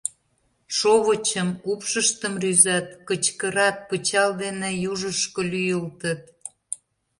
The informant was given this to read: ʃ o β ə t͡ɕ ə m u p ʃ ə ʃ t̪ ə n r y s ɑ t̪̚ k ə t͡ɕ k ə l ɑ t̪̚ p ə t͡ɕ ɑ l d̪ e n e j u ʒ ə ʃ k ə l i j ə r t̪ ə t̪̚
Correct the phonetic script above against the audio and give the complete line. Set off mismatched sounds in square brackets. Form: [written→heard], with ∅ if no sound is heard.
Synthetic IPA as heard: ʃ o β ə t͡ɕ ə m u p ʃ ə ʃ t̪ ə [n→m] r y [s→z] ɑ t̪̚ k ə t͡ɕ k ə [l→ɾ] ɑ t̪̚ p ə t͡ɕ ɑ l d̪ e n e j u ʒ ə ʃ k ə l [i→y] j ə [r→l] t̪ ə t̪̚

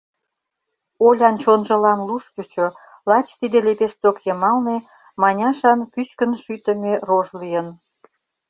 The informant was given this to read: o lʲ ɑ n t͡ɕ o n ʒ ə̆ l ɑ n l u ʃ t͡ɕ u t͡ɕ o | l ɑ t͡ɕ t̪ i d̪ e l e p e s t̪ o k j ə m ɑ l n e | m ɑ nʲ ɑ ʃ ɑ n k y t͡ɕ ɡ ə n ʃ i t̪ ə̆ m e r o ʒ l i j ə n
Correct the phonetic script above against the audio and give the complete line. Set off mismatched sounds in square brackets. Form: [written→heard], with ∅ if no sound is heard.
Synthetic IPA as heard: o lʲ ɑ n t͡ɕ o n ʒ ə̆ l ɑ n l u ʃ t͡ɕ u t͡ɕ o | l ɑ t͡ɕ t̪ i d̪ e l e p e s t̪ o k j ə m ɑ l n e | m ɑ nʲ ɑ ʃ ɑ n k y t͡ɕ [ɡ→k] ə n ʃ [i→y] t̪ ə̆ m e r o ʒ l i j ə n

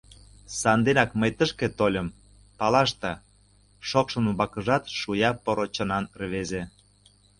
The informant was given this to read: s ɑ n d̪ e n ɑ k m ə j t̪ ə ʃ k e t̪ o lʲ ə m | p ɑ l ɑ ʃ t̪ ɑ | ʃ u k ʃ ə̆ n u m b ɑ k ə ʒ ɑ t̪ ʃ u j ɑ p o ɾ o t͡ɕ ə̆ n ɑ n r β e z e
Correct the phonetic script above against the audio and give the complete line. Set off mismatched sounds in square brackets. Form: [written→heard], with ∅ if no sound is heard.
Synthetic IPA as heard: s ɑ n d̪ e n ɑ k m ə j t̪ ə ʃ k e t̪ o lʲ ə m | p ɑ l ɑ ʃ t̪ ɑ | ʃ [u→o] k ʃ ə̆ n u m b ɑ k ə ʒ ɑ t̪ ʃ u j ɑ p o ɾ o t͡ɕ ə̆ n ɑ n r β e z e

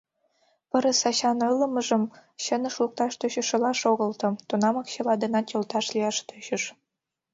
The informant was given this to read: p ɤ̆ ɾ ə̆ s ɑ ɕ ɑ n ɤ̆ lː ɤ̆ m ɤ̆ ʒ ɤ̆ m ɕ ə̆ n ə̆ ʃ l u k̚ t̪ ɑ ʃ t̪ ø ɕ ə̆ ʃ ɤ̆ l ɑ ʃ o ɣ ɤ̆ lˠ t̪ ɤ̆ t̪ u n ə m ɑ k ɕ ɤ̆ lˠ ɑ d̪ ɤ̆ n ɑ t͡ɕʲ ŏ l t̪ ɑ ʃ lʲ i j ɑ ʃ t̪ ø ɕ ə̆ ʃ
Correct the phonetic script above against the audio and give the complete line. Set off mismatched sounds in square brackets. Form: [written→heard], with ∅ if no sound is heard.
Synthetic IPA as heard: p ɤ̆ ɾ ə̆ s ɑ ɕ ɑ n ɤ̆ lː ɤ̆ m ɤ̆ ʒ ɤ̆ m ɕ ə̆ n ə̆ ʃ l u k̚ t̪ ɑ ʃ t̪ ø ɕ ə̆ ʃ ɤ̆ l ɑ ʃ o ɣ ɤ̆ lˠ t̪ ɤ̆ t̪ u n [ə→ɑ] m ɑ k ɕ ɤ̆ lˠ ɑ d̪ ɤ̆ n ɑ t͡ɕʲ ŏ l t̪ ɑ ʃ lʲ i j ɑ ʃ t̪ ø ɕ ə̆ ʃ

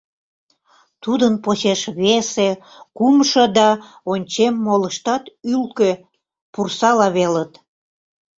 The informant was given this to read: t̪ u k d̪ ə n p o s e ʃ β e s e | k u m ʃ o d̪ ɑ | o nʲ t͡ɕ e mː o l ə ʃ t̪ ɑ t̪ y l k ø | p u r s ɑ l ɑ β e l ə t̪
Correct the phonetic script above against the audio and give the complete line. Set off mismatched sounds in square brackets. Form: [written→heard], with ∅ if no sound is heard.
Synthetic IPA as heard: t̪ u [k→∅] d̪ ə n p o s e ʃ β e s e | k u m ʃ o d̪ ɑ | o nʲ t͡ɕ e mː o l ə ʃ t̪ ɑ t̪ y l k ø | p u r s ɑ l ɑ β e l ə t̪

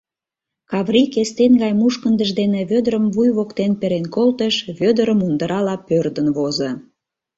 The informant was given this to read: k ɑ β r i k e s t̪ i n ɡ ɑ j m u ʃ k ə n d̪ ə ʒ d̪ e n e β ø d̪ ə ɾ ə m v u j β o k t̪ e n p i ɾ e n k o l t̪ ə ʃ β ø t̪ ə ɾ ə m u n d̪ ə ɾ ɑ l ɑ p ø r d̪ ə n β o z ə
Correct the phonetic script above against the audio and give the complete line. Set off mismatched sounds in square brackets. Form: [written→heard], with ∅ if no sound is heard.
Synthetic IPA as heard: k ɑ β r i k e s t̪ [i→e] n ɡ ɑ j m u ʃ k ə n d̪ ə ʒ d̪ e n e β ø d̪ ə ɾ ə m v u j β o k t̪ e n p [i→e] ɾ e n k o l t̪ ə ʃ β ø [t̪→d̪] ə ɾ ə m u n d̪ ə ɾ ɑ l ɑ p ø r d̪ ə n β o z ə

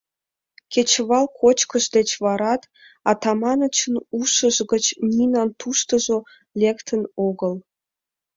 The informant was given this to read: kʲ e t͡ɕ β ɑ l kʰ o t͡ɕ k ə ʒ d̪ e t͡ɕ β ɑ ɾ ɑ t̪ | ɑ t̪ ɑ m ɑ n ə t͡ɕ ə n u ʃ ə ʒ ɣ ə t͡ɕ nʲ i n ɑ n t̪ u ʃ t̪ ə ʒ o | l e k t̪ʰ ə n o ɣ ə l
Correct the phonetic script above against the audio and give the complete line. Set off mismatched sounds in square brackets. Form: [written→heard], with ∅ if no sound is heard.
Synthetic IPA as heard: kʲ e t͡ɕ β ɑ l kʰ o t͡ɕ k ə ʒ d̪ e t͡ɕ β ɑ ɾ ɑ t̪ | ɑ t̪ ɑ m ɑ n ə t͡ɕ ə n u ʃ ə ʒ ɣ ə t͡ɕ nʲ i n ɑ n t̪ u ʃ t̪ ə ʒ o | l e k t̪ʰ ə n o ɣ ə l

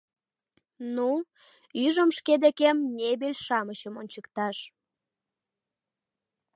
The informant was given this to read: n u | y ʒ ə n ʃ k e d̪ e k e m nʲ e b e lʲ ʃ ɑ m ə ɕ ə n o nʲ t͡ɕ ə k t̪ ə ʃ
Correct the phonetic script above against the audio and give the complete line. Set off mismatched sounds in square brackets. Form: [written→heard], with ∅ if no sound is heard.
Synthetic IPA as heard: n u | y ʒ ə [n→m] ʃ k e d̪ e k e m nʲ e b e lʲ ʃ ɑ m ə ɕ ə [n→m] o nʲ t͡ɕ ə k t̪ [ə→ɑ] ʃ

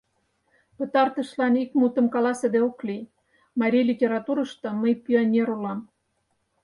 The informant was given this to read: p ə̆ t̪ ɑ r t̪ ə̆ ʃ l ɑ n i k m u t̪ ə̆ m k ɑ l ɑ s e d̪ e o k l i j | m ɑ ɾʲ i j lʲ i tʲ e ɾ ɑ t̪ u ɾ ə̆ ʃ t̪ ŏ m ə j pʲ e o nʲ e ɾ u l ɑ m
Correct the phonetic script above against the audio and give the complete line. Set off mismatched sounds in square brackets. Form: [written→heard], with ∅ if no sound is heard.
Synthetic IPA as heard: p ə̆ t̪ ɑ r t̪ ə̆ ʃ l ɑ n i k m u t̪ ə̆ m k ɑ l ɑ s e d̪ e o k l i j | m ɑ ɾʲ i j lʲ i tʲ e ɾ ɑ t̪ u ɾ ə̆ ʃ t̪ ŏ m ə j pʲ [e→i] o nʲ e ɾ u l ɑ m

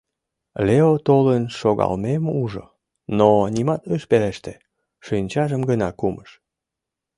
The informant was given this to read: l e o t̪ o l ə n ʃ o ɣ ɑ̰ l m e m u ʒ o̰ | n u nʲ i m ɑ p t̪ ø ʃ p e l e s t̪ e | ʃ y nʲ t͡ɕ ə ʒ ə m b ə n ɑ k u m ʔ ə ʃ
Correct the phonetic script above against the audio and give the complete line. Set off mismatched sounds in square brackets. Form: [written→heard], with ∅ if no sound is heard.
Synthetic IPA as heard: l e o t̪ o l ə n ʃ o ɣ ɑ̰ l m e m u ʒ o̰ | n [u→o] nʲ i m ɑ [p→∅] t̪ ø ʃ p e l e [s→ʃ] t̪ e | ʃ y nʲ t͡ɕ [ə→ɑ] ʒ ə m [b→ɡ] ə n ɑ k u m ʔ ə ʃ

